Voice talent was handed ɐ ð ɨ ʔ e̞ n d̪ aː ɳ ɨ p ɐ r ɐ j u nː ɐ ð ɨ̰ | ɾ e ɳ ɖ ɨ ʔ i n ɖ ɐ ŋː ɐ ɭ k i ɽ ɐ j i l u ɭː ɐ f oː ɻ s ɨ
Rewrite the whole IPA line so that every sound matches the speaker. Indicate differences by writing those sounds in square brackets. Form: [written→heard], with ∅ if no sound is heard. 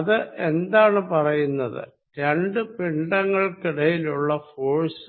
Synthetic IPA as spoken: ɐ ð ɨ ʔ e̞ n d̪ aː ɳ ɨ p ɐ r ɐ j u nː ɐ ð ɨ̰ | ɾ e ɳ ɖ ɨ [ʔ→p] i [n→ɳ] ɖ ɐ ŋː ɐ ɭ k i ɽ ɐ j i l u ɭː ɐ f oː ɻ s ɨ